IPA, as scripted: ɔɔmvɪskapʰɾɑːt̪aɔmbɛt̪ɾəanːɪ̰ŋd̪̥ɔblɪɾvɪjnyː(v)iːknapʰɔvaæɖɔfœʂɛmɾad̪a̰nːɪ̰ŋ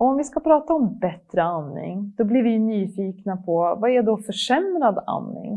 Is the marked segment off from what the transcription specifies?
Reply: yes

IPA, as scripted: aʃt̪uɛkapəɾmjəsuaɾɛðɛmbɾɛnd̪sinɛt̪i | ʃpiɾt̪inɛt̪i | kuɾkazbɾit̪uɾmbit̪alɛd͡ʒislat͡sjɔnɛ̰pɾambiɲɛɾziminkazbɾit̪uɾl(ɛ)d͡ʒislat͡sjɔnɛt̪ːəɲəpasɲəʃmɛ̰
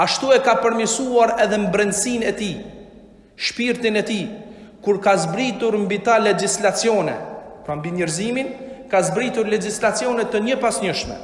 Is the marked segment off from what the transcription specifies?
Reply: no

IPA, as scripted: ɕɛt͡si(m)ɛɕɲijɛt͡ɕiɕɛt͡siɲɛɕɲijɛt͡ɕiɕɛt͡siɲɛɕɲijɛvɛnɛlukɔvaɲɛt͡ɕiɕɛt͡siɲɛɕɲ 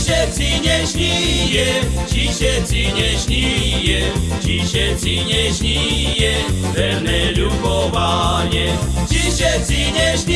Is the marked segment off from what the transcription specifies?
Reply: yes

